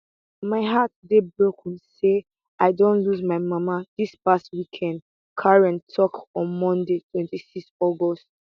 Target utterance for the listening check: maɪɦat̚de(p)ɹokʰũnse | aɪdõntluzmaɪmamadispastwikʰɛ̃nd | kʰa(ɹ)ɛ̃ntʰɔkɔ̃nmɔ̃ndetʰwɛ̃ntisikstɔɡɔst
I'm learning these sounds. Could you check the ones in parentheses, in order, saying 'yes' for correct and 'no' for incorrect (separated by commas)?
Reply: no, yes